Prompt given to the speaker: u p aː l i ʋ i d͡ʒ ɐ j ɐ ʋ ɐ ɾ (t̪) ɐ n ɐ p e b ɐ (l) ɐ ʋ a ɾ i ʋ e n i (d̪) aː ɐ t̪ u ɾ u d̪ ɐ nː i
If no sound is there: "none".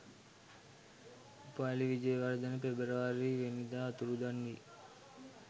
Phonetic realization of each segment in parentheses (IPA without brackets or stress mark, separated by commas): d̪, ɾ, d̪